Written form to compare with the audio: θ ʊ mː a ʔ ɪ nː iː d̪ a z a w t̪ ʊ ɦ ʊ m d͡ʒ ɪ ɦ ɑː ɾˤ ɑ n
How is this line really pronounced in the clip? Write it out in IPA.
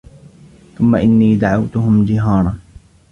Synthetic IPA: θ ʊ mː a ʔ ɪ nː iː d̪ a ʕ a w t̪ ʊ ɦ ʊ m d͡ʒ ɪ ɦ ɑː ɾˤ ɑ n